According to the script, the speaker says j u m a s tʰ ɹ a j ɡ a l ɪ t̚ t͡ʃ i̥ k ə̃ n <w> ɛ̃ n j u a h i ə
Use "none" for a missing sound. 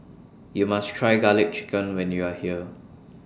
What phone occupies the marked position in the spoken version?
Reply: w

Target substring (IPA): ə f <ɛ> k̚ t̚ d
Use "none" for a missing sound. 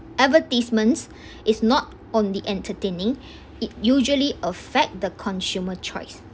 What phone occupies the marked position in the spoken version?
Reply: ɛ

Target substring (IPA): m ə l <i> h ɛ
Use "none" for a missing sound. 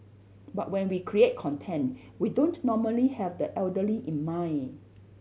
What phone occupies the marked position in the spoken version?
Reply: i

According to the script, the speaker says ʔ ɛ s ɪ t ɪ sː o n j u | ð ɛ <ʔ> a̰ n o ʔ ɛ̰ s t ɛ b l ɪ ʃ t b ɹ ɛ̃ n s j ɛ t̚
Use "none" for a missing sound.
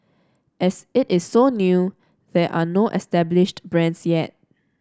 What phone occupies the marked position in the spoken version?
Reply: ʔ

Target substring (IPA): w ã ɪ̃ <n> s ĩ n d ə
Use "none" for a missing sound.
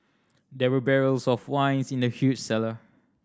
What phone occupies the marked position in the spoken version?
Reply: n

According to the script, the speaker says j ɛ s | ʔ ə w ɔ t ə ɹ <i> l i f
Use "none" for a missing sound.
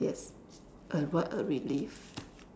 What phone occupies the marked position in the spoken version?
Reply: i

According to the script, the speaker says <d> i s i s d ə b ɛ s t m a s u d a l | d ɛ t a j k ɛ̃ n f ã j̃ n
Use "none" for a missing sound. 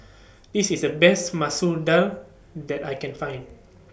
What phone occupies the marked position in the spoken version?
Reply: d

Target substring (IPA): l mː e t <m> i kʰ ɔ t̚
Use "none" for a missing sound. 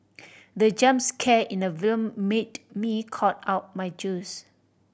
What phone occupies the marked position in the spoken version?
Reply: m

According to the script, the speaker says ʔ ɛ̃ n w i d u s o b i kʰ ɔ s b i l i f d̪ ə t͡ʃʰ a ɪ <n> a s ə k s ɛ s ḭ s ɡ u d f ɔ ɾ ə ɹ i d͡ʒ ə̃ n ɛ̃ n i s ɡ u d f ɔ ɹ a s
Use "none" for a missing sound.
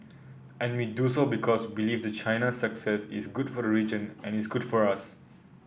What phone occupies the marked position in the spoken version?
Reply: n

